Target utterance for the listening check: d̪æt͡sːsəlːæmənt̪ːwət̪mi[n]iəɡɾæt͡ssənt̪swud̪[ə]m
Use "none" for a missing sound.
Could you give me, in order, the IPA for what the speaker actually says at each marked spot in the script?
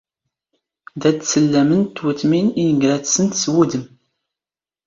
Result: n, ə

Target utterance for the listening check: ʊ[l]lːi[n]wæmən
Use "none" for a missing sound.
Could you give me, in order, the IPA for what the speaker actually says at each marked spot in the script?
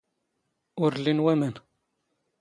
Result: ɾ, n

